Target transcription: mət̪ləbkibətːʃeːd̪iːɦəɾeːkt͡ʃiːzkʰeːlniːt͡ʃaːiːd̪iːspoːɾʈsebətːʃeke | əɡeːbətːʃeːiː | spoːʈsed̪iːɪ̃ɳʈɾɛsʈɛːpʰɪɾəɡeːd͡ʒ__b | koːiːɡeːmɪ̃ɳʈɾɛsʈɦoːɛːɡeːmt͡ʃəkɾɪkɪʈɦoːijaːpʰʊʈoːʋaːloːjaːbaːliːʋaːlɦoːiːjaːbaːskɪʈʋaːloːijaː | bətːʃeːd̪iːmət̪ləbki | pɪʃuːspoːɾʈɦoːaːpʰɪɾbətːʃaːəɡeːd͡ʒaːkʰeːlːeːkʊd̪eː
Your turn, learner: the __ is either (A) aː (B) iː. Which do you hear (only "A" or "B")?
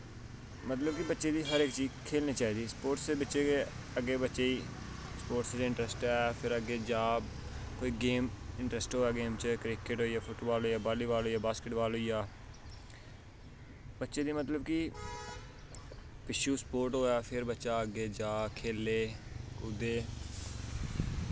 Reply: A